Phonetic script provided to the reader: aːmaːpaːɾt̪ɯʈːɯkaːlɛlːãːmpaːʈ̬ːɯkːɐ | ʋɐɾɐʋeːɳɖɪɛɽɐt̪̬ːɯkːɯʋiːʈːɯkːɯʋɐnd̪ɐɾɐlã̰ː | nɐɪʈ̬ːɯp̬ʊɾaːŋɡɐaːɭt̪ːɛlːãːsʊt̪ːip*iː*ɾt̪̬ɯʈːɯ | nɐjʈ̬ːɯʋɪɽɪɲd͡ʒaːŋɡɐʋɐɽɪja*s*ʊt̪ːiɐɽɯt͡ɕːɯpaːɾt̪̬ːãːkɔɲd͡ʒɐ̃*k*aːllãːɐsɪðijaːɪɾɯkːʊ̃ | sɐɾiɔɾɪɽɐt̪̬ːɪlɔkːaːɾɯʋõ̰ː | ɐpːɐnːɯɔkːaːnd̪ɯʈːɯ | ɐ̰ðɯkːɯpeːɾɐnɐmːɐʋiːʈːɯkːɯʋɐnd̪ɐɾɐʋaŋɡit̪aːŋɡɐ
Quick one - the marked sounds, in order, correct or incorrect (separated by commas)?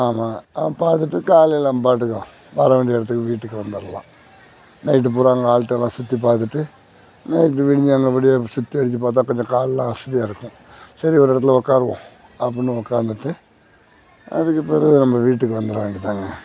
incorrect, correct, correct